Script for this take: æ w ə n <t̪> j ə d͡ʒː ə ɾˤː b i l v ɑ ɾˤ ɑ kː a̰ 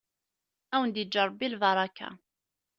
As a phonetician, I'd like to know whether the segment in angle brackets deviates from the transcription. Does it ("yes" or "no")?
yes